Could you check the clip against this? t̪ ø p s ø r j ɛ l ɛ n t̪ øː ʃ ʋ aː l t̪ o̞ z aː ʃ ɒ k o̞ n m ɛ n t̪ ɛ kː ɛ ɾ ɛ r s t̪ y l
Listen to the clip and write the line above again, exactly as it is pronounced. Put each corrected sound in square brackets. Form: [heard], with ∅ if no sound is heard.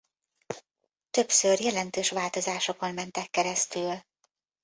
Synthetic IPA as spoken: t̪ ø p s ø r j ɛ l ɛ n t̪ øː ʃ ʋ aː l t̪ o̞ z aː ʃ [o] k o̞ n m ɛ n t̪ ɛ kː ɛ ɾ ɛ [∅] s t̪ y l